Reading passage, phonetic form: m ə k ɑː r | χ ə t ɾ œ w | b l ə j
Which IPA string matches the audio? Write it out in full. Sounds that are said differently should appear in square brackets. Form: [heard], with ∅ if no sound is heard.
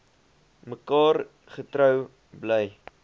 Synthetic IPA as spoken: m ə k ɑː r | χ ə t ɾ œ w | b l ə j